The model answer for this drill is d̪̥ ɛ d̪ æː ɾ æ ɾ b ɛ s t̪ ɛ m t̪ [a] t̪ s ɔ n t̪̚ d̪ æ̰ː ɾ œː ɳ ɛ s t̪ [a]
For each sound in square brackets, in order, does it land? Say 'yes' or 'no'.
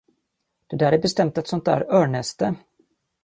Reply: no, no

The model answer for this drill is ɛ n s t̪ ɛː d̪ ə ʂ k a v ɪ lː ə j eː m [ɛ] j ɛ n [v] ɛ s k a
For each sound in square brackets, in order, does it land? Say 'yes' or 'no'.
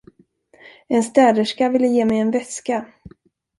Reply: yes, yes

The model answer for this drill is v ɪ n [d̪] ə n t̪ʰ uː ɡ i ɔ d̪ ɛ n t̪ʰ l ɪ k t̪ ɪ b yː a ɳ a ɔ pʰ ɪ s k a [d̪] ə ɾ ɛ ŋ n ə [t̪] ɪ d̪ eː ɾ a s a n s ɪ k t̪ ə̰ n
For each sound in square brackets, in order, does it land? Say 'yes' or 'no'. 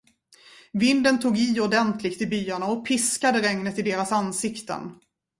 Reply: yes, yes, yes

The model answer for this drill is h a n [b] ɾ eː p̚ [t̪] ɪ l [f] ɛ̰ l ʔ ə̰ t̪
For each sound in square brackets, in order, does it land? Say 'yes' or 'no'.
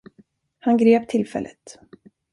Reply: no, no, yes

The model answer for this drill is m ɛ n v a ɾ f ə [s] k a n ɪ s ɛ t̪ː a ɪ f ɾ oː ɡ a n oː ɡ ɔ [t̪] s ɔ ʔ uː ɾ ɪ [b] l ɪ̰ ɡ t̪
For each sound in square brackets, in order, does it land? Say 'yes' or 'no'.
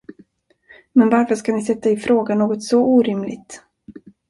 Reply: no, yes, no

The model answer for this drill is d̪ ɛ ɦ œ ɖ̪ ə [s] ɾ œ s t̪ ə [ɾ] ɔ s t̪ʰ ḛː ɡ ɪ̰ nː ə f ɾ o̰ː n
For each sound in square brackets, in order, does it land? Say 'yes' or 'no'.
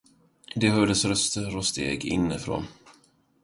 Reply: yes, yes

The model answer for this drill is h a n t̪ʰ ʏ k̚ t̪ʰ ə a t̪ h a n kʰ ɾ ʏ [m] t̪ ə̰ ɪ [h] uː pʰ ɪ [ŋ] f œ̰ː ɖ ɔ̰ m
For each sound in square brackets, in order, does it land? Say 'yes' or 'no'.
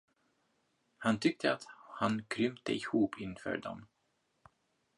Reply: yes, yes, no

